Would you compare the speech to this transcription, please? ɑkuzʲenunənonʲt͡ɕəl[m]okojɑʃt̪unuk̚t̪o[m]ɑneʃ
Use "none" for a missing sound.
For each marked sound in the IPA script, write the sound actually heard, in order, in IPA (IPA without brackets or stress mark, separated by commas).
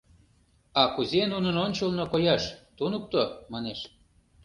n, m